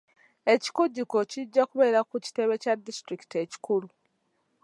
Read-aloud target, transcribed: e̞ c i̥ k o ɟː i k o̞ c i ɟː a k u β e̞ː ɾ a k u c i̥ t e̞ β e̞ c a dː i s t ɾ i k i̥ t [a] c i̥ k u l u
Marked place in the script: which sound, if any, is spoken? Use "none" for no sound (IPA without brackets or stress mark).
e